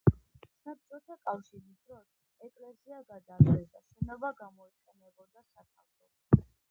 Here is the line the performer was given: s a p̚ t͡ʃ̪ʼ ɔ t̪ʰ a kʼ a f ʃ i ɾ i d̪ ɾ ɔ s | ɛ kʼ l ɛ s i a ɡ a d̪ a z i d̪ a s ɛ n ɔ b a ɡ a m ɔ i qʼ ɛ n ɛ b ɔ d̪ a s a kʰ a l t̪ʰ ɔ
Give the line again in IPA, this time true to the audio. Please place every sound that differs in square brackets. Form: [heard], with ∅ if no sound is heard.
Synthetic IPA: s a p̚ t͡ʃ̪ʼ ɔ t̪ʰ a kʼ a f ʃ i ɾ i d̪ ɾ ɔ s | ɛ kʼ l ɛ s i a ɡ a d̪ a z [ɛ] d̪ a [ʃ] ɛ n ɔ b a ɡ a m ɔ i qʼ ɛ n ɛ b ɔ d̪ a s a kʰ a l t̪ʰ ɔ

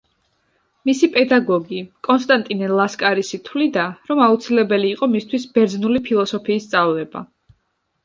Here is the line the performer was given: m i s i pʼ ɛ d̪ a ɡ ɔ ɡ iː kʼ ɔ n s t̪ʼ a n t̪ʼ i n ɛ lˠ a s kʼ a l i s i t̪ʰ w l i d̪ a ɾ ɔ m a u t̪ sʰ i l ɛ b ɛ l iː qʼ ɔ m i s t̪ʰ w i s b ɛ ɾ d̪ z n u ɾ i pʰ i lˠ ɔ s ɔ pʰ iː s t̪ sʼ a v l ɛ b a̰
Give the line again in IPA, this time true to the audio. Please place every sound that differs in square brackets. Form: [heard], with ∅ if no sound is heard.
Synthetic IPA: m i s i pʼ ɛ d̪ a ɡ ɔ ɡ [i] kʼ ɔ n s t̪ʼ a n t̪ʼ i n ɛ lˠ a s kʼ a [ɾ] i s i t̪ʰ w l i d̪ a ɾ ɔ m a u t̪ sʰ i l ɛ b ɛ l iː qʼ ɔ m i s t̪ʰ w i s b ɛ ɾ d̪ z n u [l] i pʰ i lˠ ɔ s ɔ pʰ iː s t̪ sʼ a v l ɛ b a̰

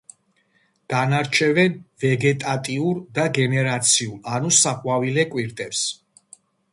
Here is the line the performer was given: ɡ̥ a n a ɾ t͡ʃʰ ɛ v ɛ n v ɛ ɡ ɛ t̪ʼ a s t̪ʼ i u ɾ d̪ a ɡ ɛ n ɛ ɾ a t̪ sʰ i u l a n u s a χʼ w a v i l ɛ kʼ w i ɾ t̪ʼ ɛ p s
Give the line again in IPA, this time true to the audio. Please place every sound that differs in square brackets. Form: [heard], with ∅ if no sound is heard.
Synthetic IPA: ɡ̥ a n a ɾ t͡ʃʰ ɛ v ɛ n v ɛ ɡ ɛ t̪ʼ a [∅] t̪ʼ i u ɾ d̪ a ɡ ɛ n ɛ ɾ a t̪ sʰ i u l a n u s a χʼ w a v i l ɛ kʼ w i ɾ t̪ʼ ɛ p s

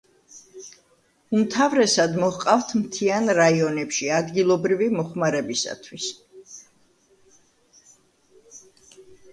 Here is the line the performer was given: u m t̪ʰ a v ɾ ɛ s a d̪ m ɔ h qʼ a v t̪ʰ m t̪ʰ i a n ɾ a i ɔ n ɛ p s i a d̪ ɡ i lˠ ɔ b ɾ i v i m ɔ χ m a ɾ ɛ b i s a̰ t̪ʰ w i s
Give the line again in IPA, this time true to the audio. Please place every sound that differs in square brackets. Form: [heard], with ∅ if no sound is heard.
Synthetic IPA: u m t̪ʰ a v ɾ ɛ s a d̪ m ɔ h qʼ a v t̪ʰ m t̪ʰ i a n ɾ a i ɔ n ɛ p [ʃ] i a d̪ ɡ i lˠ ɔ b ɾ i v i m ɔ χ m a ɾ ɛ b i s a̰ t̪ʰ w i s

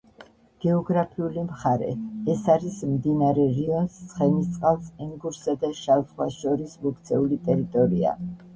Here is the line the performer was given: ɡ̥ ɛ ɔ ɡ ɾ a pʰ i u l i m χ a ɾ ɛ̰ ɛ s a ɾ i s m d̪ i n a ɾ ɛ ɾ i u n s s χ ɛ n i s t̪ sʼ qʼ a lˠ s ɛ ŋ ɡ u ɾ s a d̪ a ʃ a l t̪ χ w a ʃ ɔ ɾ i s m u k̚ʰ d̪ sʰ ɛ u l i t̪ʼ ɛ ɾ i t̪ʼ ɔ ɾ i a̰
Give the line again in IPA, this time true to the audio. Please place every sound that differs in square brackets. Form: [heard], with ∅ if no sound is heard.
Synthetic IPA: ɡ̥ ɛ ɔ ɡ ɾ a pʰ i u l i m χ a ɾ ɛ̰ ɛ s a ɾ i s m d̪ i n a ɾ ɛ ɾ i [ɔ] n s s χ ɛ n i s t̪ sʼ qʼ a lˠ s ɛ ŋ ɡ u ɾ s a d̪ a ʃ a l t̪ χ w a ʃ ɔ ɾ i s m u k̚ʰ [t̪] sʰ ɛ u l i t̪ʼ ɛ ɾ i t̪ʼ ɔ ɾ i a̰

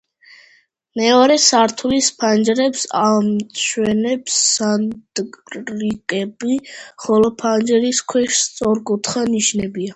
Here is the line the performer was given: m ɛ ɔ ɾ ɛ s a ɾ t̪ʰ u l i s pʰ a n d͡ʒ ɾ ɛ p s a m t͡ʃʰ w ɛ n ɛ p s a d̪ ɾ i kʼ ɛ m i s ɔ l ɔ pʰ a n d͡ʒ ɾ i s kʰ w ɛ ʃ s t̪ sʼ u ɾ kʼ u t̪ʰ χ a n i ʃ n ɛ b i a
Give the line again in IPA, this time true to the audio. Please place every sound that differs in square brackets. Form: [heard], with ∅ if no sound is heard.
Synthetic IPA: m ɛ ɔ ɾ ɛ s a ɾ t̪ʰ u l i s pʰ a n d͡ʒ ɾ ɛ p s a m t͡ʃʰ w ɛ n ɛ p s a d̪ ɾ i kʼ ɛ [b] i [χ] ɔ l ɔ pʰ a n d͡ʒ ɾ i s kʰ w ɛ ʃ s t̪ sʼ [ɔ] ɾ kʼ u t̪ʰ χ a n i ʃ n ɛ b i a

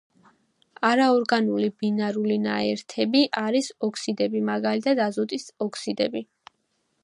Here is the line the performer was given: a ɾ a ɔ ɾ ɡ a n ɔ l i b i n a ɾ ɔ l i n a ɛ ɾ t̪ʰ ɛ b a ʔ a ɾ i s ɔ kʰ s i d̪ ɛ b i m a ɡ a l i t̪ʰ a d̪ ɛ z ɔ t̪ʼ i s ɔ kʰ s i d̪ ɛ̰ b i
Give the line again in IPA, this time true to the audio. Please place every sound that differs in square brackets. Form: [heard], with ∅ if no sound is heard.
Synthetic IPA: a ɾ a ɔ ɾ ɡ a n [u] l i b i n a ɾ [u] l i n a ɛ ɾ t̪ʰ ɛ b [i] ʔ a ɾ i s ɔ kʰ s i d̪ ɛ b i m a ɡ a l i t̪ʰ a d̪ [a] z ɔ t̪ʼ i s ɔ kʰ s i d̪ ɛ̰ b i

